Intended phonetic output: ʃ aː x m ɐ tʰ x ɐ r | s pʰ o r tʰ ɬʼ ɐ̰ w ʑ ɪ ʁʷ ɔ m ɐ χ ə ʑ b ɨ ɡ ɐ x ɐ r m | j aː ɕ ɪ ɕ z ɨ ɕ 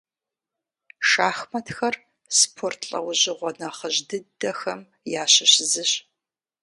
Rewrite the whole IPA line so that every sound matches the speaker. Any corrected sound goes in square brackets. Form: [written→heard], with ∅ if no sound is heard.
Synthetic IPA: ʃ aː x m ɐ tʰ x ɐ r | s pʰ o r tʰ ɬʼ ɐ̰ w ʑ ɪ ʁʷ ɔ [m→n] ɐ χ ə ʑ [b→d] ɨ [ɡ→d] ɐ x ɐ [r→∅] m | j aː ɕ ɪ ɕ z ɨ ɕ